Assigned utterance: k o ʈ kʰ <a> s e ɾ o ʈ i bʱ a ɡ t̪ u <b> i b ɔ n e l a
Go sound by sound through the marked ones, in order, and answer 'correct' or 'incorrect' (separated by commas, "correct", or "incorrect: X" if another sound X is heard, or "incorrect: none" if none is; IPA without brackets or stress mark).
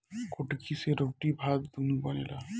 incorrect: i, incorrect: m